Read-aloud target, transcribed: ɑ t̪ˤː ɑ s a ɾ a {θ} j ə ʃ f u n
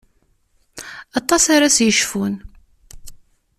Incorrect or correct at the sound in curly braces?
incorrect: s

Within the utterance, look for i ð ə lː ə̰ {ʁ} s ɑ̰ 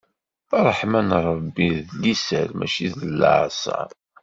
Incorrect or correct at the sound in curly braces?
incorrect: ʕ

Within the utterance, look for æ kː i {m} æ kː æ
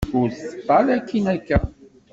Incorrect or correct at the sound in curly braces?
incorrect: n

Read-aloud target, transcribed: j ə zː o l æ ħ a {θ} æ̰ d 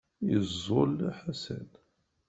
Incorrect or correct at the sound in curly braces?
incorrect: s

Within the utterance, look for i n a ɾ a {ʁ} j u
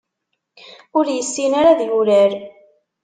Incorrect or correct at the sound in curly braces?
incorrect: ð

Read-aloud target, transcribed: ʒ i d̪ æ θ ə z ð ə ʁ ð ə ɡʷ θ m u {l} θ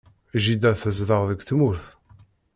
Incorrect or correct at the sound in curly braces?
incorrect: ɾ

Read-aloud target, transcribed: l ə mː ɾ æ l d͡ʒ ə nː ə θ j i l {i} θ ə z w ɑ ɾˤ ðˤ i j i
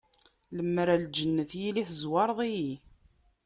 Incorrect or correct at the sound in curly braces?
correct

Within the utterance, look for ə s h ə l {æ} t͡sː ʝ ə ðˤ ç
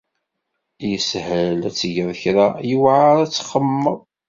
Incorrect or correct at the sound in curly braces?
correct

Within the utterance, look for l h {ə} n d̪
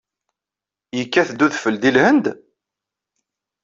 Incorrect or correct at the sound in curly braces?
correct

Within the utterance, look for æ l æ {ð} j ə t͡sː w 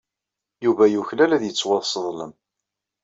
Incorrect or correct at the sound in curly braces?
correct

